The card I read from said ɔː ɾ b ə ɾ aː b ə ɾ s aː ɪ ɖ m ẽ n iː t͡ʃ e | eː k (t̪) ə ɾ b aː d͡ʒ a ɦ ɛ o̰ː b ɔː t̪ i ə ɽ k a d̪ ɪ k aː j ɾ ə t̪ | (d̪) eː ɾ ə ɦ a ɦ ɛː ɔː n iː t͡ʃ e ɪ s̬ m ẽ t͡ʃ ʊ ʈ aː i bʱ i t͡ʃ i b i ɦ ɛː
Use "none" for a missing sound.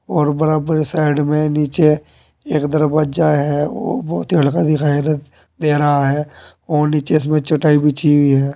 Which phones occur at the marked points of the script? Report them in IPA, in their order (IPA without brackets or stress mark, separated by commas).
d̪, d̪